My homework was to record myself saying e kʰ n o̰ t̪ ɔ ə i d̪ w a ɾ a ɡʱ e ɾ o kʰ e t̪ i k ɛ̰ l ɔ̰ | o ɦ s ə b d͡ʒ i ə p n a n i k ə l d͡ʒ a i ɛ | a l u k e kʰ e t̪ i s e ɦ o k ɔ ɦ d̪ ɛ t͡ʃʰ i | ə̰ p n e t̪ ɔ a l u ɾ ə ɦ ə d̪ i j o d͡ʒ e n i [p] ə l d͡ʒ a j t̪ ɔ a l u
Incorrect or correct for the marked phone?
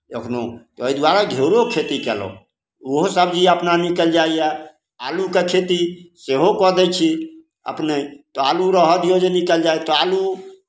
incorrect: k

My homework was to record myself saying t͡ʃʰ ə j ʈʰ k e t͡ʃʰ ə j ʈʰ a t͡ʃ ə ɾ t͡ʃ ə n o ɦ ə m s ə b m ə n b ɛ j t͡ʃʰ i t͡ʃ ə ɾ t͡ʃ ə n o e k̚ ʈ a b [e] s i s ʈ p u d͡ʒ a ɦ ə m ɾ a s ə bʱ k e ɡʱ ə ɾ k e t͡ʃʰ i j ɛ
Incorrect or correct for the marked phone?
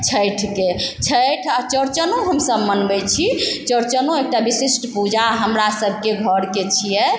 incorrect: i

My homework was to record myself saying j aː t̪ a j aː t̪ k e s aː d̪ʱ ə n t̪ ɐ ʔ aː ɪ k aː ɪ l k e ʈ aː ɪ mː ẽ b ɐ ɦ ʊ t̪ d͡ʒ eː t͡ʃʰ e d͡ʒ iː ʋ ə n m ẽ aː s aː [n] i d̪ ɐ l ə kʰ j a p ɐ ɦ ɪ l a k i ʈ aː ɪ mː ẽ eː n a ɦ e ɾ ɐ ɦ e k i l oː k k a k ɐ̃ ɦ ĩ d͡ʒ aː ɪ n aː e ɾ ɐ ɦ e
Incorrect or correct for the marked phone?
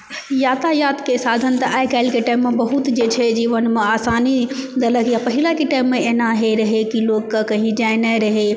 correct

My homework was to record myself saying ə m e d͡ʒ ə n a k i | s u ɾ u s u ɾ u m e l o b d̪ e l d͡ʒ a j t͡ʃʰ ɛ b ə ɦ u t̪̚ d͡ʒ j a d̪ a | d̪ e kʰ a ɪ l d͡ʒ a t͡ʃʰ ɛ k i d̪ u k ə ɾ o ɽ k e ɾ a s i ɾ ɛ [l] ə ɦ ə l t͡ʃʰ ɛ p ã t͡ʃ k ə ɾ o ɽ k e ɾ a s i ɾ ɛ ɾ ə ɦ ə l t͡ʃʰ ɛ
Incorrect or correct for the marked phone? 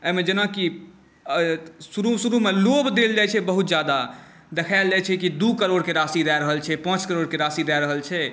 incorrect: ɾ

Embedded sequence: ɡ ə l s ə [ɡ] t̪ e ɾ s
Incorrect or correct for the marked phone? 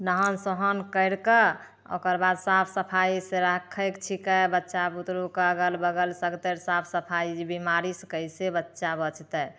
correct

